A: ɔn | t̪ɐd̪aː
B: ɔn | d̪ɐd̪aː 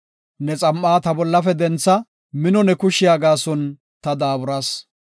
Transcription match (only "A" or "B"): A